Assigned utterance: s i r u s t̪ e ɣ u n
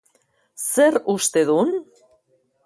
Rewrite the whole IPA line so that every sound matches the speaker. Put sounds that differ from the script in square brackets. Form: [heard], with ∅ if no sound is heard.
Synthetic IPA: s [e] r u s t̪ e [ð] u n

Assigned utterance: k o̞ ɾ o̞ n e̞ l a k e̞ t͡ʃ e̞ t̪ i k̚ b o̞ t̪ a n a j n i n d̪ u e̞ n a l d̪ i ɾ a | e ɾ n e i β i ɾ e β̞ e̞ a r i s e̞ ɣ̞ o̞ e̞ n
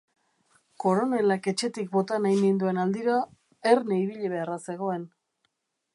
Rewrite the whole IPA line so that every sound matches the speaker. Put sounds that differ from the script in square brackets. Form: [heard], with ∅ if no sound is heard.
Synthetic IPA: k o̞ ɾ o̞ n e̞ l a k e̞ t͡ʃ e̞ t̪ i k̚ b o̞ t̪ a n a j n i n d̪ u e̞ n a l d̪ i ɾ a | e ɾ n e i β i [ʎ] e β̞ e̞ a r [a] s e̞ ɣ̞ o̞ e̞ n

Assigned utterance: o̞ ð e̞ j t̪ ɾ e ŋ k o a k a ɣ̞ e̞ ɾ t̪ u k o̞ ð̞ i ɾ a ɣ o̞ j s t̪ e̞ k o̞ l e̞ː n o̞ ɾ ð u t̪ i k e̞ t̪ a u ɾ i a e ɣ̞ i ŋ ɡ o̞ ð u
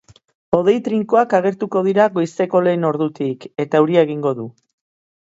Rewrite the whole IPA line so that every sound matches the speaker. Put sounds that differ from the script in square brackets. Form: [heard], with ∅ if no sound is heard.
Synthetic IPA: o̞ ð e̞ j t̪ ɾ [i] ŋ k o a k a ɣ̞ e̞ ɾ t̪ u k o̞ ð̞ i ɾ a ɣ o̞ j s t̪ e̞ k o̞ l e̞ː n o̞ ɾ ð u t̪ i k e̞ t̪ a u ɾ i a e ɣ̞ i ŋ ɡ o̞ ð u

